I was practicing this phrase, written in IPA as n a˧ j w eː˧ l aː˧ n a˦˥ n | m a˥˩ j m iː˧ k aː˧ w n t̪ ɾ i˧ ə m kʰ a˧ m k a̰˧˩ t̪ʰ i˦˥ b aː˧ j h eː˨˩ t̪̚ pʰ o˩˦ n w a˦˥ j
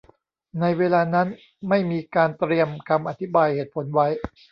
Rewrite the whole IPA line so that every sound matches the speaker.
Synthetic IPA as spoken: n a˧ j w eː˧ l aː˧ n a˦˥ n | m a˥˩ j m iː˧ k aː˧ n t̪ ɾ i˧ ə m kʰ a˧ m ʔ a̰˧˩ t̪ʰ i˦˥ b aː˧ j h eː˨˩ t̪̚ pʰ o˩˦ n w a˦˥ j